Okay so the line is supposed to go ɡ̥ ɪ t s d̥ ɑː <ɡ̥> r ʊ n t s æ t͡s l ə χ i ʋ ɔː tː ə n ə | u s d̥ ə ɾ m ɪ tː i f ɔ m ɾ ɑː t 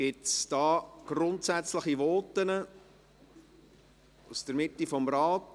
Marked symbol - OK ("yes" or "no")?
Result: yes